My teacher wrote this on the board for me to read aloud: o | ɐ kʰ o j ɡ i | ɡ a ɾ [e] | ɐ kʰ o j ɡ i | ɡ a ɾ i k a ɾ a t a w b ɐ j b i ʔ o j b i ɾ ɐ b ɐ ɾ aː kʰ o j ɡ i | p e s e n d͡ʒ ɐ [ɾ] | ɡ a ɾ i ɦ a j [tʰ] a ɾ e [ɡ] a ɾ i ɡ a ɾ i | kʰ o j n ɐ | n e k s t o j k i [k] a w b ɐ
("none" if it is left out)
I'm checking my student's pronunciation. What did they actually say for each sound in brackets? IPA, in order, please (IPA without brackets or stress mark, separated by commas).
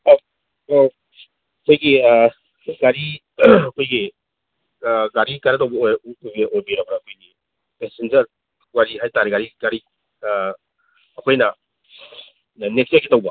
i, ɾ, t, ɡ, t